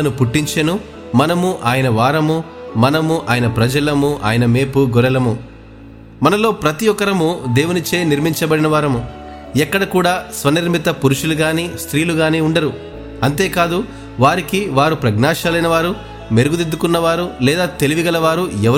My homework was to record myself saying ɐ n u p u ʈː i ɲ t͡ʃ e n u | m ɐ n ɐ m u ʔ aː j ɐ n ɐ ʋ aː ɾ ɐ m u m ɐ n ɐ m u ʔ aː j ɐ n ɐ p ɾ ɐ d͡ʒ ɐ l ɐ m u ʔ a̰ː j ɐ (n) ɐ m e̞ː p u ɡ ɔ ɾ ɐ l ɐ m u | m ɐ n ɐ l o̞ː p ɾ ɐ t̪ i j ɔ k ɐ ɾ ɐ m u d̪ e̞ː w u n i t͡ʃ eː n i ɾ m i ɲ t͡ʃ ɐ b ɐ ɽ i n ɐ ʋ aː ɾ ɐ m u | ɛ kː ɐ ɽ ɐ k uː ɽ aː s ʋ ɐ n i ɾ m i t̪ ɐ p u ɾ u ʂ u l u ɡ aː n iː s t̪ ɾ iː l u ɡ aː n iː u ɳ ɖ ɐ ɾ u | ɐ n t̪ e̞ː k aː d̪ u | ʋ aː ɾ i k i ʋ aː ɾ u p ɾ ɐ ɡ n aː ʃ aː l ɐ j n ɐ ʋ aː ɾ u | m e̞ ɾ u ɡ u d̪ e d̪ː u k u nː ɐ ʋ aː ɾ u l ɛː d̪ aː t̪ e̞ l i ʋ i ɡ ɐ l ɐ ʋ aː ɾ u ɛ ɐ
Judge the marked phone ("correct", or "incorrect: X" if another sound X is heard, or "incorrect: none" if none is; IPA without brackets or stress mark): correct